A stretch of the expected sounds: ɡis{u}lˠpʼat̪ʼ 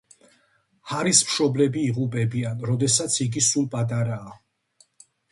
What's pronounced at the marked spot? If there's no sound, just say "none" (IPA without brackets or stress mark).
u